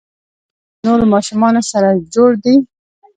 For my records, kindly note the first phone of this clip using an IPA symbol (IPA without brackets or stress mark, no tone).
n